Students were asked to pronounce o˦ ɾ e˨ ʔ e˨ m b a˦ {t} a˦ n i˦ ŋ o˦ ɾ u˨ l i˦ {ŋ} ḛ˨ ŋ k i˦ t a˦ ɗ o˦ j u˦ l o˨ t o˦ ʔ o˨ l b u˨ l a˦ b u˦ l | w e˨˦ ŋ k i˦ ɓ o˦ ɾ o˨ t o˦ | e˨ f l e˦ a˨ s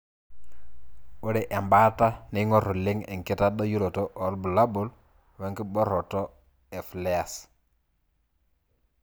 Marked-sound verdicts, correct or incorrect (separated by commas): correct, correct